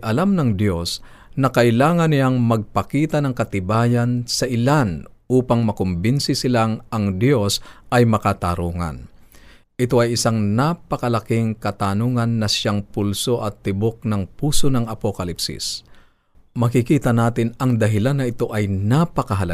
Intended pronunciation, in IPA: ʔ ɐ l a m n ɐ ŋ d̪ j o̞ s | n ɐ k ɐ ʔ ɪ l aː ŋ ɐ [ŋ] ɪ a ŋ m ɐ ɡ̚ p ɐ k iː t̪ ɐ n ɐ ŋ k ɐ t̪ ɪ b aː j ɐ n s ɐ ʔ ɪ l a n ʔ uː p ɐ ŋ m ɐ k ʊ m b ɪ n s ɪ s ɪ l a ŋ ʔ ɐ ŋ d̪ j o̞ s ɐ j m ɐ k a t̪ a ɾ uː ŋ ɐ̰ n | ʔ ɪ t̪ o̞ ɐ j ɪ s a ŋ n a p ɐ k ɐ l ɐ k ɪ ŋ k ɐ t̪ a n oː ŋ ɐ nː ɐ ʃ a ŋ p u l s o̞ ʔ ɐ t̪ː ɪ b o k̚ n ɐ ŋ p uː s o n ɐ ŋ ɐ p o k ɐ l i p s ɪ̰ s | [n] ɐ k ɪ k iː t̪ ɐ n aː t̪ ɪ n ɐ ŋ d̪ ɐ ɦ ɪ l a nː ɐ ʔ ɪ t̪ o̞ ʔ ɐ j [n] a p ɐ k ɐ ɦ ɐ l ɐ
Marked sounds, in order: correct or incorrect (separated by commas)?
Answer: incorrect, incorrect, correct